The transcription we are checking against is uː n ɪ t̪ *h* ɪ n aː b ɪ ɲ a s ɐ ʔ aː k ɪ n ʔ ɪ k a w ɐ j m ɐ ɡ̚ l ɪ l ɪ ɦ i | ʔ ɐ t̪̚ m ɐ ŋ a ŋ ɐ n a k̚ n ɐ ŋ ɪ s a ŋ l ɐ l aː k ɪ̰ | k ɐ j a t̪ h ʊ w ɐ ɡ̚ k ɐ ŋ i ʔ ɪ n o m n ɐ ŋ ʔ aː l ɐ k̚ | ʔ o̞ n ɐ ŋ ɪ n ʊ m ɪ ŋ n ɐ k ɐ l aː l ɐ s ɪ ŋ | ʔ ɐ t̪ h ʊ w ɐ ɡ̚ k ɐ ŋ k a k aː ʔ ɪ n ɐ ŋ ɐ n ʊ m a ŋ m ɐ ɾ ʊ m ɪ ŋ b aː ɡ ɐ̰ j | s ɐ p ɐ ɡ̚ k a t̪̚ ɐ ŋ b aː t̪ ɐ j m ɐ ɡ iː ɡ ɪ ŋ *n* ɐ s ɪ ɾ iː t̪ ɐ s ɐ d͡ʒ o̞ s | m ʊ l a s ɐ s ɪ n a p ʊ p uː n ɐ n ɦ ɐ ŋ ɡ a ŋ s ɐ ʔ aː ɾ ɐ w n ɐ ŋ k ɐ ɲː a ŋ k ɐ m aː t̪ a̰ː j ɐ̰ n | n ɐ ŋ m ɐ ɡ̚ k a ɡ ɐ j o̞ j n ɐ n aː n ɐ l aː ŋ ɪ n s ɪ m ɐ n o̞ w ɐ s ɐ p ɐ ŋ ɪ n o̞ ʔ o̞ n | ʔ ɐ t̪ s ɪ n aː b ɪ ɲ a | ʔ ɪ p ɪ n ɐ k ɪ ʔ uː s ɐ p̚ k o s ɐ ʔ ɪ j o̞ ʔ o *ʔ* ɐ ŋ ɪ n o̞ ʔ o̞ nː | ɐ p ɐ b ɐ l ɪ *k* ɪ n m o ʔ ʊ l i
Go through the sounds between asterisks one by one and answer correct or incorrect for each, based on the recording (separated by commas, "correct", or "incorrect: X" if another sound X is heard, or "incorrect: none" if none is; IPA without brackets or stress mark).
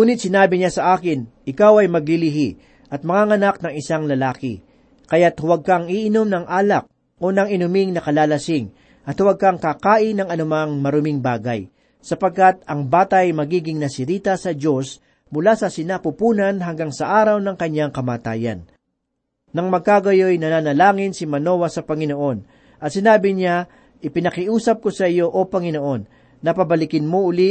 incorrect: s, correct, incorrect: p, correct